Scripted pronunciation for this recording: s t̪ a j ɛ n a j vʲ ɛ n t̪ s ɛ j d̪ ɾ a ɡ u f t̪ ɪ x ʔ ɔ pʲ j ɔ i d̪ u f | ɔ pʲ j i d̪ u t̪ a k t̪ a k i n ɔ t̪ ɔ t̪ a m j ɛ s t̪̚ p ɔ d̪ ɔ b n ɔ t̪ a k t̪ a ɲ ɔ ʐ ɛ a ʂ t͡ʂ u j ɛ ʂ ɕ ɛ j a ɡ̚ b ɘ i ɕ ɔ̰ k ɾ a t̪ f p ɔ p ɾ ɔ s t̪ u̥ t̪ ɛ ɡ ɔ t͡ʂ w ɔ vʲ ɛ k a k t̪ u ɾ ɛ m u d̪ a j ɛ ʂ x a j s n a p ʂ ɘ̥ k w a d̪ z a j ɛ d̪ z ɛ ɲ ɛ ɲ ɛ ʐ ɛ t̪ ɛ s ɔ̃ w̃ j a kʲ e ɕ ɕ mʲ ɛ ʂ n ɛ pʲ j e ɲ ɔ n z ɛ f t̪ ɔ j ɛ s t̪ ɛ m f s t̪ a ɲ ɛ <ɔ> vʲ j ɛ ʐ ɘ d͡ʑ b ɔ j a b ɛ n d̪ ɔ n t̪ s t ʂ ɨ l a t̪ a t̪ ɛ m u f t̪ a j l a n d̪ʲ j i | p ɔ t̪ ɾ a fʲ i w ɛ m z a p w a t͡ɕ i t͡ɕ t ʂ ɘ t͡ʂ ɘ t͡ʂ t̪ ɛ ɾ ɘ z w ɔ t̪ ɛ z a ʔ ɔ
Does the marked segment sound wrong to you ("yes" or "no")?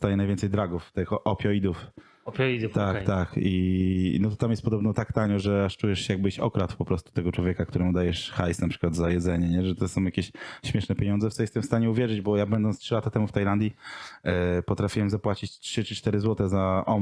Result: yes